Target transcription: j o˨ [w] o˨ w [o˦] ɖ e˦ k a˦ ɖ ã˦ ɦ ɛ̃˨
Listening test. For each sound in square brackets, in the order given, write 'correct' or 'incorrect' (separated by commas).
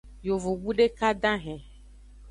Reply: incorrect, incorrect